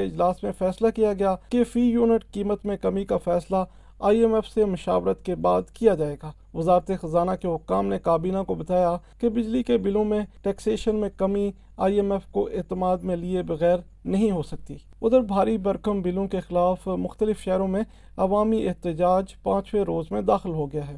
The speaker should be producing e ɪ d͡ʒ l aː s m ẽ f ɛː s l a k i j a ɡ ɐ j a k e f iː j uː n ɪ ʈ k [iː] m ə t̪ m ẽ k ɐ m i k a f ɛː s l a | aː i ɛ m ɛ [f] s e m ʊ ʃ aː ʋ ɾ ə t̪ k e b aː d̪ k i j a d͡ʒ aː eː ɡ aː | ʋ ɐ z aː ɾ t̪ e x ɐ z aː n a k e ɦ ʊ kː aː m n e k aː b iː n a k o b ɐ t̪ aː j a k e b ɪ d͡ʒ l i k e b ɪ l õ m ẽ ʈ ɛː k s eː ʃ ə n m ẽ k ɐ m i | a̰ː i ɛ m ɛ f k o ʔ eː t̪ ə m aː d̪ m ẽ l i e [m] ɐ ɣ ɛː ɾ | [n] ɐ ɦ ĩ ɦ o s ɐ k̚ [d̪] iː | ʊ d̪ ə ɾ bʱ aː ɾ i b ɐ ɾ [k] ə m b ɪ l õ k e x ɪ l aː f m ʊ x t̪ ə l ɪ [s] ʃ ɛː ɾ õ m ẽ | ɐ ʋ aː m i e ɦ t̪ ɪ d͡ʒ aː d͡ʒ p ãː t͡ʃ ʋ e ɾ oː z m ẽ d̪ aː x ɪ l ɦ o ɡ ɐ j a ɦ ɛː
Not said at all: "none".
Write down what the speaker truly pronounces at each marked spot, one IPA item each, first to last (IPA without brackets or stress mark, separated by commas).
iː, f, b, n, t̪, k, f